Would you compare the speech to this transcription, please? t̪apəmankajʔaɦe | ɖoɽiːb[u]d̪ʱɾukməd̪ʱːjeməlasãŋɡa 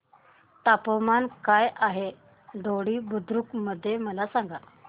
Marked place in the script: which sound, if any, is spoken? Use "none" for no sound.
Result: u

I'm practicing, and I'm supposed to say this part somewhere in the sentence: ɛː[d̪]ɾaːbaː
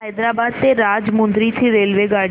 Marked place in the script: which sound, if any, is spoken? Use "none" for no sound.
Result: d̪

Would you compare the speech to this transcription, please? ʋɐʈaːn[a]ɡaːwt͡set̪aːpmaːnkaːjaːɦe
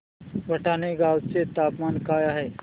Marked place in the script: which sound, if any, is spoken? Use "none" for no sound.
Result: e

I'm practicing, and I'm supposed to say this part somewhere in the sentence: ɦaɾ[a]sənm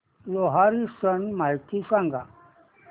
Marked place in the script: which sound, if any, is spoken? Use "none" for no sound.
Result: i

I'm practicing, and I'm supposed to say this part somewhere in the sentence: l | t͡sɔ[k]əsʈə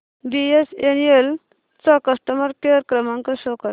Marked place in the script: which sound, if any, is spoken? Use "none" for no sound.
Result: k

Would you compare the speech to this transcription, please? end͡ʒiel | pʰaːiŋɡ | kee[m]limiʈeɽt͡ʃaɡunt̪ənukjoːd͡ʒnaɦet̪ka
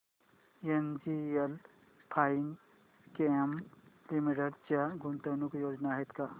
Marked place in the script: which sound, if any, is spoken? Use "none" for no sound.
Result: m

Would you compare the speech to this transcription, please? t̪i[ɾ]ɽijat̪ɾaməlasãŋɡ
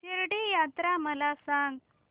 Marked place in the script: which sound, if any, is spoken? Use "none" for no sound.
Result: ɾ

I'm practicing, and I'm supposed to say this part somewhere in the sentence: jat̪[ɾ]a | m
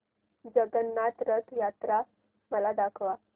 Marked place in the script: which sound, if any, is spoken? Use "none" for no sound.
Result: ɾ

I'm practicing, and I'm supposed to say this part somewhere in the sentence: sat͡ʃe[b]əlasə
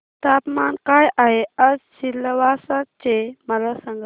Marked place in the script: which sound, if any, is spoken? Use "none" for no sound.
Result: m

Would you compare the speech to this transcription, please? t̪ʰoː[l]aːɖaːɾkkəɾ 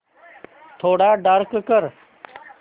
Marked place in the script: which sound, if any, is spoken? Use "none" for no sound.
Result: ɽ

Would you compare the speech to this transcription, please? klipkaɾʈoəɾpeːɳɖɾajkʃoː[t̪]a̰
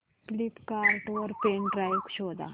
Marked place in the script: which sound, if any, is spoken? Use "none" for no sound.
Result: d̪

